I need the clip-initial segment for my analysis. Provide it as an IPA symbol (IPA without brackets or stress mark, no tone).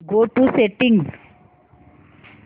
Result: ɡ